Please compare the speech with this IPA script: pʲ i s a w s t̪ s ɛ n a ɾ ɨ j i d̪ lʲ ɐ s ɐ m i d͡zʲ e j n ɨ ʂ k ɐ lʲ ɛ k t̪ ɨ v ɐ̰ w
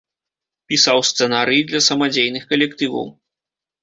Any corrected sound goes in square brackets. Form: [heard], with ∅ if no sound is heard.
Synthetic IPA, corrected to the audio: pʲ i s a w s t̪ s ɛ n a ɾ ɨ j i d̪ lʲ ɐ s ɐ m [a] d͡zʲ e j n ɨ [x] k ɐ lʲ ɛ k t̪ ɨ v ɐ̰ w

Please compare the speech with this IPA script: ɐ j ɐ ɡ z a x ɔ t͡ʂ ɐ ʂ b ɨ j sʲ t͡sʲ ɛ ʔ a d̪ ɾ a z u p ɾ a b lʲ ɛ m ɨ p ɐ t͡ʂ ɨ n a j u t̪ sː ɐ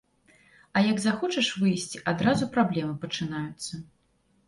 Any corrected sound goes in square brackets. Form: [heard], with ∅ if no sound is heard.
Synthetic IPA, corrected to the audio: ɐ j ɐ ɡ z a x ɔ t͡ʂ ɐ ʂ [v] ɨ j sʲ t͡sʲ [i] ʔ a d̪ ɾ a z u p ɾ a b lʲ ɛ m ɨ p ɐ t͡ʂ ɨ n a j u t̪ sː ɐ

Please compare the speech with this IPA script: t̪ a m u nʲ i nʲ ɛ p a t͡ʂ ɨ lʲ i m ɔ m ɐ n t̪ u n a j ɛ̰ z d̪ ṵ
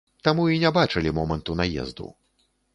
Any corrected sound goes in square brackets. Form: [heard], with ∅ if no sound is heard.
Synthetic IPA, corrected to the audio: t̪ a m u [∅] i nʲ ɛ [b] a t͡ʂ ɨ lʲ i m ɔ m ɐ n t̪ u n a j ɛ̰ z d̪ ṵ

